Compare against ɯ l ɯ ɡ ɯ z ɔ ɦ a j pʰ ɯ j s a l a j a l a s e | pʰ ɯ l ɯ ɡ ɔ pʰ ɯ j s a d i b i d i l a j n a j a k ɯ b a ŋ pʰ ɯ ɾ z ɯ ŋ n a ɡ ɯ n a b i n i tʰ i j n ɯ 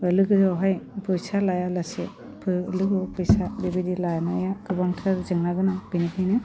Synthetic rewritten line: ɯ l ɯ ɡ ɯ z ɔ ɦ a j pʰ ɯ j s a l a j a l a s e | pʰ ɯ l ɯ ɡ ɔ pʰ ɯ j s a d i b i d i l a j n a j a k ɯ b a ŋ tʰ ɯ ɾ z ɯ ŋ n a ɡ ɯ n a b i n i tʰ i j n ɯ